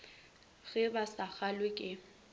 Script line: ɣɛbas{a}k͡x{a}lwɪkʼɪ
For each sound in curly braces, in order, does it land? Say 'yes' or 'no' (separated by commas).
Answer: yes, yes